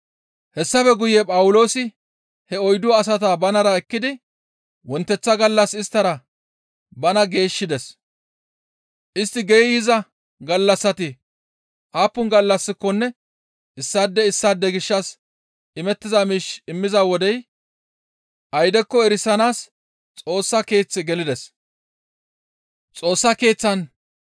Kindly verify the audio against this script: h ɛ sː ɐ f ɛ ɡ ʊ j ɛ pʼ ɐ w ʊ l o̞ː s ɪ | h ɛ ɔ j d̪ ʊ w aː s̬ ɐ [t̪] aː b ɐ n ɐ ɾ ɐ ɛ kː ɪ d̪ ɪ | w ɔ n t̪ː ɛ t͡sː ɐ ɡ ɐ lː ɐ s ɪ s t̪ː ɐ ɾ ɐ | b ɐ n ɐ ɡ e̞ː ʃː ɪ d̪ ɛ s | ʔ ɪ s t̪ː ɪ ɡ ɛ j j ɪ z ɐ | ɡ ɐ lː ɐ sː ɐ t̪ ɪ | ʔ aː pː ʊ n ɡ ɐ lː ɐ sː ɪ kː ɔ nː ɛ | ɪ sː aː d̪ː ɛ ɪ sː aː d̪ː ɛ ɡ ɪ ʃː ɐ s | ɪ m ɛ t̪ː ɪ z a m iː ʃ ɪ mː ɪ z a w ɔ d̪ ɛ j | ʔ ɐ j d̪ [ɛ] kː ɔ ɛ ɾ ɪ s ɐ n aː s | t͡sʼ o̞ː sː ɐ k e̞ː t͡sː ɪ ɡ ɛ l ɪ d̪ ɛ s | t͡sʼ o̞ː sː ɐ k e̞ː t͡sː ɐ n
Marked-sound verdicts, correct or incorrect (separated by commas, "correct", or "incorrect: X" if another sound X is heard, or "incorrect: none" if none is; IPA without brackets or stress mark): correct, correct